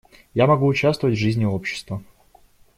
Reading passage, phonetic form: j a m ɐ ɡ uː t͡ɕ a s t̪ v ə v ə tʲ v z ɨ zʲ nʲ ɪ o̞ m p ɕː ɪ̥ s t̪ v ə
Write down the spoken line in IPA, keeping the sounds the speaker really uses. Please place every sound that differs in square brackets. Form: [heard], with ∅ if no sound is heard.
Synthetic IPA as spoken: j a m ɐ ɡ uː t͡ɕ a s t̪ v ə v ə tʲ v [ʐ] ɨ zʲ nʲ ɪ o̞ [∅] p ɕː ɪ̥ s t̪ v ə

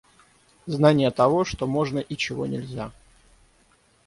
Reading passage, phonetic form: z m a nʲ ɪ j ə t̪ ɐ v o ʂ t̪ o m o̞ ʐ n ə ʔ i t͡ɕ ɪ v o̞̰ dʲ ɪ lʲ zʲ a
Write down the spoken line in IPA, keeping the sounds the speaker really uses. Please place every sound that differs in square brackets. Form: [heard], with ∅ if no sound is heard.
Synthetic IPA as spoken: z [n] a nʲ ɪ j ə t̪ ɐ v o ʂ t̪ o m o̞ ʐ n ə ʔ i t͡ɕ ɪ v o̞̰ [nʲ] ɪ lʲ zʲ a

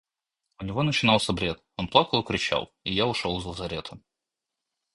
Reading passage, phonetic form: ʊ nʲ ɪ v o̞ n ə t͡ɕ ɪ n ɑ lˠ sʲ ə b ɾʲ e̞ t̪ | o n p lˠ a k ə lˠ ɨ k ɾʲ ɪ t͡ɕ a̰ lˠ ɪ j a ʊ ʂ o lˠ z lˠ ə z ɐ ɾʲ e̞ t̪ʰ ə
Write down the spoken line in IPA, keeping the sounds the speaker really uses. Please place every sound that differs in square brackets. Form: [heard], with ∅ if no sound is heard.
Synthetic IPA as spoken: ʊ nʲ ɪ v o̞ n ə t͡ɕ ɪ n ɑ lˠ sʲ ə b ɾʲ e̞ t̪ | o n p lˠ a k ə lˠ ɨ k ɾʲ ɪ t͡ɕ a̰ lˠ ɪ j a ʊ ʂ o lˠ z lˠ ə z ɐ ɾʲ e̞ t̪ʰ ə

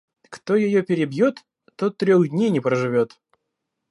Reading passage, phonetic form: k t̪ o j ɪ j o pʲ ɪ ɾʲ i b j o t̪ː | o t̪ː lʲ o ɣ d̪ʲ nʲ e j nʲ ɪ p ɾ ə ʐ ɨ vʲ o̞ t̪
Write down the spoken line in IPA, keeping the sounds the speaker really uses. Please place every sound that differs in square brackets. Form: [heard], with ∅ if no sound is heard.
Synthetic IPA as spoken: k t̪ o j ɪ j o pʲ ɪ ɾʲ [ɪ] b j o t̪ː | o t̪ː [ɾʲ] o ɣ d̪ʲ nʲ e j nʲ ɪ p ɾ ə ʐ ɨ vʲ o̞ t̪

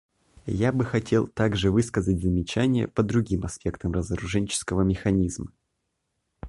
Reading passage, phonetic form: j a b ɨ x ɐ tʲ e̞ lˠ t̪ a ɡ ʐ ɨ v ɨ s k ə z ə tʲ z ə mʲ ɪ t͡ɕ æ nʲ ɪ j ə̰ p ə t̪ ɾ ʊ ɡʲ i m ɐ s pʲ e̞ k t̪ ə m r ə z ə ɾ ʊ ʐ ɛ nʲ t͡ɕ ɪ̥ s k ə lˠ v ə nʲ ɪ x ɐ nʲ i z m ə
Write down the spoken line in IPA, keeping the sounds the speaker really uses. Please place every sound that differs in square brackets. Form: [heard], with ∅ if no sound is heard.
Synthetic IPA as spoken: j a b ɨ x ɐ tʲ e̞ lˠ t̪ a ɡ ʐ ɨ v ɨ s k ə z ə tʲ z ə mʲ ɪ t͡ɕ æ nʲ ɪ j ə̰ p ə [d̪] ɾ ʊ ɡʲ i m ɐ s pʲ e̞ k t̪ ə m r ə z ə ɾ ʊ ʐ ɛ nʲ t͡ɕ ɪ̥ s k ə [∅] v ə [mʲ] ɪ x ɐ nʲ i z m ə

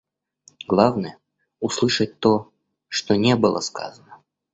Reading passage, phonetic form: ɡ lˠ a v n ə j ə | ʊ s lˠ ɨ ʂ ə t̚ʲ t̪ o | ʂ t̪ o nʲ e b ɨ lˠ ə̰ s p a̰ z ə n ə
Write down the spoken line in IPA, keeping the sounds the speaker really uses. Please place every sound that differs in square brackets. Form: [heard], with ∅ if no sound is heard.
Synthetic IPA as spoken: ɡ lˠ a v n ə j ə | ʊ s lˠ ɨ ʂ ə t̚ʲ t̪ o | ʂ t̪ o nʲ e b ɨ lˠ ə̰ s [k] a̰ z ə n ə

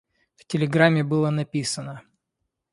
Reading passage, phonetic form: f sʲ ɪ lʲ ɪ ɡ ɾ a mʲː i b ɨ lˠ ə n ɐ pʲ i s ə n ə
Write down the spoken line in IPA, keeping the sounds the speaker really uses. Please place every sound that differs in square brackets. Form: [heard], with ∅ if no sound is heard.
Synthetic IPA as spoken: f [tʲ] ɪ lʲ ɪ ɡ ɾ a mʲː [ɪ] b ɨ lˠ ə n ɐ pʲ i s ə n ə

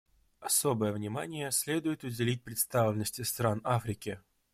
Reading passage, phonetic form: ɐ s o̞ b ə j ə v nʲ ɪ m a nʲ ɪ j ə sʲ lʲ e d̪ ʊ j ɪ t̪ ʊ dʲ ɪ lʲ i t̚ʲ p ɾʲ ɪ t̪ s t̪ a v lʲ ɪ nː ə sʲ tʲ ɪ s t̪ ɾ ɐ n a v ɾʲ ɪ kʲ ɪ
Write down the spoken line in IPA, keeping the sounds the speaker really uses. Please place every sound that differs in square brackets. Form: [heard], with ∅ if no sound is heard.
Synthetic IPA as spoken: ɐ s o̞ b ə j ə v nʲ ɪ m a nʲ ɪ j ə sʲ lʲ e d̪ ʊ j ɪ t̪ ʊ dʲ ɪ lʲ i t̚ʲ p ɾʲ ɪ t̪ s t̪ a v lʲ ɪ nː ə sʲ tʲ ɪ s t̪ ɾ [a] n a [f] ɾʲ ɪ kʲ ɪ

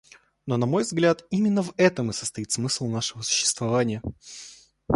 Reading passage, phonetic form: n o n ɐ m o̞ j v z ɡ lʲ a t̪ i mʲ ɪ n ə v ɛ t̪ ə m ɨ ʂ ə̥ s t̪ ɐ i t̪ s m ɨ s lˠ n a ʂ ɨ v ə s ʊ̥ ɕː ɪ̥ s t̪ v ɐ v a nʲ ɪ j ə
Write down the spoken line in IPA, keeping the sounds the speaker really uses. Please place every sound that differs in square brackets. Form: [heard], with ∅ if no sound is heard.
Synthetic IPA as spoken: n o n ɐ m o̞ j v z ɡ lʲ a t̪ i mʲ ɪ [nː] ə v ɛ t̪ ə m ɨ [s] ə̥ s t̪ ɐ i t̪ s m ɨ s lˠ n a ʂ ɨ v ə s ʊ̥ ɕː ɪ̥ s t̪ v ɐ v a nʲ ɪ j ə

